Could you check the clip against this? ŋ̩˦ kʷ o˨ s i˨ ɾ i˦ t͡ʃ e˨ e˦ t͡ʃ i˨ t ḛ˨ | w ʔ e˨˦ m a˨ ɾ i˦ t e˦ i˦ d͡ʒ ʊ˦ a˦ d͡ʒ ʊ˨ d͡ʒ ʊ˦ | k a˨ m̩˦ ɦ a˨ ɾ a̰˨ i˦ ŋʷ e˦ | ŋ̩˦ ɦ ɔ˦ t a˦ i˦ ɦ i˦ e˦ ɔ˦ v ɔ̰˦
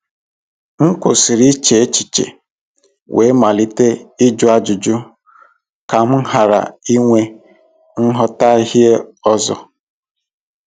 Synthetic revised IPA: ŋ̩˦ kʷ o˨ s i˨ ɾ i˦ t͡ʃ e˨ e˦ t͡ʃ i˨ t͡ʃ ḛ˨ | w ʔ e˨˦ m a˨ l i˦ t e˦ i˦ d͡ʒ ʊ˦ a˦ d͡ʒ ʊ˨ d͡ʒ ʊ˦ | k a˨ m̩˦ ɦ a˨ ɾ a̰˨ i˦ ŋʷ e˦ | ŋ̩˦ ɦ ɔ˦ t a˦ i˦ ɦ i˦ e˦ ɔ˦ z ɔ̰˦